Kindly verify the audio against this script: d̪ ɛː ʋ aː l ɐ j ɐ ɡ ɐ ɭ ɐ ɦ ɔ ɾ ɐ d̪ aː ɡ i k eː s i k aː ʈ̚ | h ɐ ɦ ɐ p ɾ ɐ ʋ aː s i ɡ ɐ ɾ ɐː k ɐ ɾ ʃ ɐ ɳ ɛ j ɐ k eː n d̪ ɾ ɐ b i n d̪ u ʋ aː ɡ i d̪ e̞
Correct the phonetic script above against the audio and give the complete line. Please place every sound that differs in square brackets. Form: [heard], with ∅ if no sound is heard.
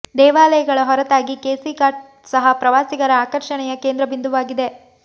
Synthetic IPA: d̪ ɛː ʋ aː l ɐ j ɐ ɡ ɐ ɭ ɐ ɦ ɔ ɾ ɐ [t̪] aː ɡ i k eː s i k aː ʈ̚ | [s] ɐ ɦ ɐ p ɾ ɐ ʋ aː s i ɡ ɐ ɾ ɐː k ɐ ɾ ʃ ɐ ɳ ɛ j ɐ k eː n d̪ ɾ ɐ b i n d̪ u ʋ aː ɡ i d̪ e̞